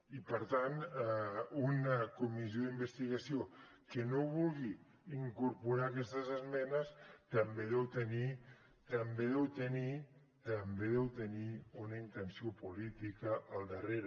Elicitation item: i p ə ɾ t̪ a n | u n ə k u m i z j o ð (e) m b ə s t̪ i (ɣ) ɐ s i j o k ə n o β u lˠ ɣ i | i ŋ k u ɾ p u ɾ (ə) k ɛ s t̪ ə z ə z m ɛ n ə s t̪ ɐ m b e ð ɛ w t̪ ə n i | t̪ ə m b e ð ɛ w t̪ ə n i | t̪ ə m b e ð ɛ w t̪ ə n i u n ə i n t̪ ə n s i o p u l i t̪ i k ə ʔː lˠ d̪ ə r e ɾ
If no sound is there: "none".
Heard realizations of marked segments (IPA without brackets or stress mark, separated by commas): i, ɣ, a